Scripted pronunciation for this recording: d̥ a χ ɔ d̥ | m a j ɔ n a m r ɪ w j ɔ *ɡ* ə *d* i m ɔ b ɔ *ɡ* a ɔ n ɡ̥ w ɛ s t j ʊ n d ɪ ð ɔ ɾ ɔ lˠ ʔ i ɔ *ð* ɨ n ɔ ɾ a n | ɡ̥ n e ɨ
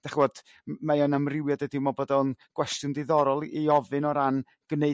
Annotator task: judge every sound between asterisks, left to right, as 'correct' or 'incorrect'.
incorrect: d, correct, incorrect: d, incorrect: v

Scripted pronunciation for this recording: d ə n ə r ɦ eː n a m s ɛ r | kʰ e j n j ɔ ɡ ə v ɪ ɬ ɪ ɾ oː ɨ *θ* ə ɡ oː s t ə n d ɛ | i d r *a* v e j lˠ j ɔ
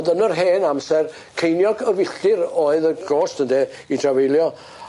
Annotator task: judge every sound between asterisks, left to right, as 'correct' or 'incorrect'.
incorrect: ð, correct

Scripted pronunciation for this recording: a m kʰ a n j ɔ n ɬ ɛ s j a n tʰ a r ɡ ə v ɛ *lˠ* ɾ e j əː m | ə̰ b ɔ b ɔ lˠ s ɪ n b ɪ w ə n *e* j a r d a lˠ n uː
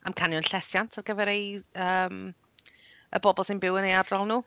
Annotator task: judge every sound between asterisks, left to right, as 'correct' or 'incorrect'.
incorrect: none, correct

